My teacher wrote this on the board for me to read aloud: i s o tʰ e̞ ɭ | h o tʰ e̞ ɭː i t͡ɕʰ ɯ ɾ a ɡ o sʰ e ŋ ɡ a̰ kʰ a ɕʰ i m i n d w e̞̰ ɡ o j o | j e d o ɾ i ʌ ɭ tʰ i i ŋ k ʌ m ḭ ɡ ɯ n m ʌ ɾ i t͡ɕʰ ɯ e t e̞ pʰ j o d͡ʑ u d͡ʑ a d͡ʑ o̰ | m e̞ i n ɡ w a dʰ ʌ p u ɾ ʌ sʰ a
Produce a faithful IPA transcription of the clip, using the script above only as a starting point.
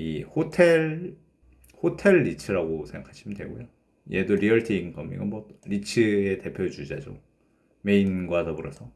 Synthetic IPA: i h o tʰ e̞ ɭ | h o tʰ e̞ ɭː i t͡ɕʰ ɯ ɾ a ɡ o sʰ e ŋ ɡ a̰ kʰ a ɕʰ i m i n d w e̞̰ ɡ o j o | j e d o ɾ i ʌ ɭ tʰ i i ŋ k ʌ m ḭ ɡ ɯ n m ʌ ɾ i t͡ɕʰ ɯ e t e̞ pʰ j o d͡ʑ u d͡ʑ a d͡ʑ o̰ | m e̞ i n ɡ w a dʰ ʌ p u ɾ ʌ sʰ ʌ

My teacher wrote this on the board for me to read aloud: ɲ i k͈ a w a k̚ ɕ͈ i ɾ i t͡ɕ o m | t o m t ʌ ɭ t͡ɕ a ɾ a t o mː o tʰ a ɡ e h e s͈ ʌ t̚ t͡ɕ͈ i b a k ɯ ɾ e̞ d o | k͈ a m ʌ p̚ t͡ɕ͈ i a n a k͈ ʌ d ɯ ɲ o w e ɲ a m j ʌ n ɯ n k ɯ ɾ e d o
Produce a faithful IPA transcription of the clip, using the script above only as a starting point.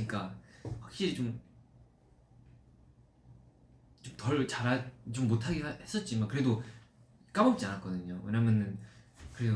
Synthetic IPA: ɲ i k͈ a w a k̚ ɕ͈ i ɾ i t͡ɕ o m | t͡ɕ o m t ʌ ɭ t͡ɕ a ɾ a t͡ɕ o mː o tʰ a ɡ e h e s͈ ʌ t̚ t͡ɕ͈ i m a k ɯ ɾ e̞ d o | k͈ a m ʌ p̚ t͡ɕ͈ i a n a k͈ ʌ d ɯ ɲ o w e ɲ a m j ʌ n ɯ n k ɯ ɾ e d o

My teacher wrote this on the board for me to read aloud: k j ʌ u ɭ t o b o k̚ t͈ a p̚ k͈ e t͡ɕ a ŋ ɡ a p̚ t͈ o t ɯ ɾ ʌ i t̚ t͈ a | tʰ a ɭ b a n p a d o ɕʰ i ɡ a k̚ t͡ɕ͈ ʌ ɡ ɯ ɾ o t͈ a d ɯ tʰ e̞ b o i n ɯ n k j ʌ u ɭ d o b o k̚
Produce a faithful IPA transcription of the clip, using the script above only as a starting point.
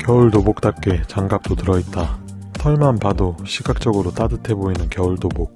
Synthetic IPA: k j ʌ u ɭ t o b o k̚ t͈ a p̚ k͈ e t͡ɕ a ŋ ɡ a p̚ t͈ o t ɯ ɾ ʌ i t̚ t͈ a | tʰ ʌ ɭ m a n p a d o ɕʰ i ɡ a k̚ t͡ɕ͈ ʌ ɡ ɯ ɾ o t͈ a d ɯ tʰ e̞ b o i n ɯ n k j ʌ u ɭ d o b o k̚

